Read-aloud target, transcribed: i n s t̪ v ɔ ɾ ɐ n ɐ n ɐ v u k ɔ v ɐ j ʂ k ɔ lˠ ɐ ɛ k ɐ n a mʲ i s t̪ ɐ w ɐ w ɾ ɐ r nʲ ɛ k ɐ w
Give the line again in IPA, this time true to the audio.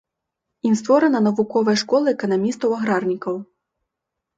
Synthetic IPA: i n s t̪ v ɔ ɾ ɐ n ɐ n ɐ v u k ɔ v ɐ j ʂ k ɔ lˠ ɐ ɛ k ɐ n a mʲ i s t̪ ɐ w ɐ ɣ ɾ a r nʲ i k ɐ w